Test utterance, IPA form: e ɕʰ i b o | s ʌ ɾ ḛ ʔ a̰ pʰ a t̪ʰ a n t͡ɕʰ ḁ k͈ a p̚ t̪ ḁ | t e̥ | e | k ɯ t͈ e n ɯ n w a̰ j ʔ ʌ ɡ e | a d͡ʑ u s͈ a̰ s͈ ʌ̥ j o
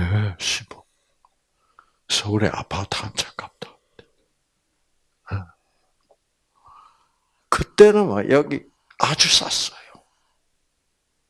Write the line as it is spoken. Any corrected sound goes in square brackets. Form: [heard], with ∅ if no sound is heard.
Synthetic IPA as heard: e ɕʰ i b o | s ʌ ɾ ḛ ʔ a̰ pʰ a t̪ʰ a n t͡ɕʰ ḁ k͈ a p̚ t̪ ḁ | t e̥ | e | k ɯ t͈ e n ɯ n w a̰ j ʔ ʌ ɡ [i] | a d͡ʑ u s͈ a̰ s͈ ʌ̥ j o